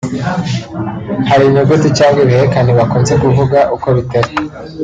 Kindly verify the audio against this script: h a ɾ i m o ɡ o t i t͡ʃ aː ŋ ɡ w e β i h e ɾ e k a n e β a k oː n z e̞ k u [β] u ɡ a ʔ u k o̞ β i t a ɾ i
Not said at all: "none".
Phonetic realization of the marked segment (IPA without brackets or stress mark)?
v